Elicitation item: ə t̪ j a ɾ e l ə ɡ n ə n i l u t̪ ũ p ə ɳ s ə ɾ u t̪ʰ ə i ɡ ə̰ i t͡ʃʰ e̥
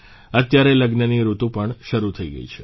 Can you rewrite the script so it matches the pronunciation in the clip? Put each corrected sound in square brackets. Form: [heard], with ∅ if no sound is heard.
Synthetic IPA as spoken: ə t̪ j a ɾ e l ə ɡ n ə n i [ɾ] u t̪ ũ p ə ɳ [ʃ] ə ɾ u t̪ʰ ə i ɡ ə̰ i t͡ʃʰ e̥